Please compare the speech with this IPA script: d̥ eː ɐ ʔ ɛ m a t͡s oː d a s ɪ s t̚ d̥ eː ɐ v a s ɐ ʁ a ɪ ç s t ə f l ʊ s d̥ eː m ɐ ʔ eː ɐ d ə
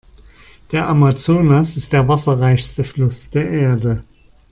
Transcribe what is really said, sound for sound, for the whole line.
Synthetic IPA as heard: d̥ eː ɐ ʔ a m a t͡s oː n a s ɪ s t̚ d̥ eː ɐ v a s ɐ ʁ a ɪ ç s t ə f l ʊ s d̥ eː ɐ ʔ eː ɐ d ə